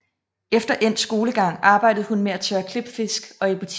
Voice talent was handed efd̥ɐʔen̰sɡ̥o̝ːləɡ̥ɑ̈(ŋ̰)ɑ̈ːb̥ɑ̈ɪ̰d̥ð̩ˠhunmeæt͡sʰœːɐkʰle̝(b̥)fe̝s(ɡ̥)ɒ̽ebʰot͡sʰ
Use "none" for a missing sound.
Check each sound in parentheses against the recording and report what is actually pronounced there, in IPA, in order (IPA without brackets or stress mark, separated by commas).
ŋ̰, b̥, ɡ̥